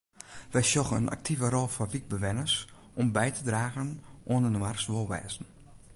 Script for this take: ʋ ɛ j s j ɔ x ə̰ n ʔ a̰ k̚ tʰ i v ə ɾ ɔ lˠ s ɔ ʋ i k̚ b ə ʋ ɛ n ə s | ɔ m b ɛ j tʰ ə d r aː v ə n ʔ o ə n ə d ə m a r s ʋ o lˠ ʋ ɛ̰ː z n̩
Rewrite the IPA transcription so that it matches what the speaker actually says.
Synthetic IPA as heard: ʋ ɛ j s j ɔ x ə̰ n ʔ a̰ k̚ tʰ i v ə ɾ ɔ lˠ f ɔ ʋ i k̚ b ə ʋ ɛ n ə s | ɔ m b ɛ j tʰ ə d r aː ɣ ə n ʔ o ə n ə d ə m a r s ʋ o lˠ ʋ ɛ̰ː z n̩